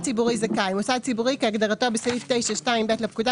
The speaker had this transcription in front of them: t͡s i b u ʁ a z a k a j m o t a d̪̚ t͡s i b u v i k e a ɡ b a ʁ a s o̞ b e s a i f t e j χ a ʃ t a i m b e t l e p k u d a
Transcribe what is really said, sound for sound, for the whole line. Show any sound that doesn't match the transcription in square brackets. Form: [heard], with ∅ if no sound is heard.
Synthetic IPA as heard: t͡s i b u ʁ [i] z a k a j m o [s] a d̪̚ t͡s i b u [ʁ] i k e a ɡ [d] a ʁ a [t] o̞ b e s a i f t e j [ʃ] a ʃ t a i m b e t l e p k u d a